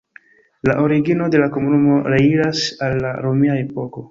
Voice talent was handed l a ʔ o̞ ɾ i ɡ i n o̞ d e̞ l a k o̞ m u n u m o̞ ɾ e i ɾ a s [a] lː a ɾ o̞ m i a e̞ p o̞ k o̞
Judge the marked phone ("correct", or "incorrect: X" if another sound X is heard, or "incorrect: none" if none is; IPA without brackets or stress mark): correct